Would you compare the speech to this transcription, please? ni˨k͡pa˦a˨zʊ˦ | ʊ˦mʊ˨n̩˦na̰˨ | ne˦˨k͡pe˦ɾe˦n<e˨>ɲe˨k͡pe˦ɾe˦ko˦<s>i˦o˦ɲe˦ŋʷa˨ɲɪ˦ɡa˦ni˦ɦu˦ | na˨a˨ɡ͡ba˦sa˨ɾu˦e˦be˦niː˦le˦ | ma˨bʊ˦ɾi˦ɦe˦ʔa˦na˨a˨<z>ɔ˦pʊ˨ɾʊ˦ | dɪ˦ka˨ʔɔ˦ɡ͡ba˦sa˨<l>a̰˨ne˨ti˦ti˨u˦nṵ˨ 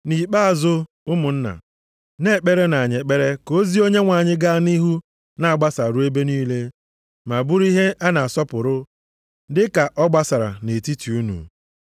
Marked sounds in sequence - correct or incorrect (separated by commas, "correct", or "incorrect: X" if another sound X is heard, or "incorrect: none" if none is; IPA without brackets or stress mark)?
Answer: incorrect: a˨, incorrect: z, incorrect: s, incorrect: ɾ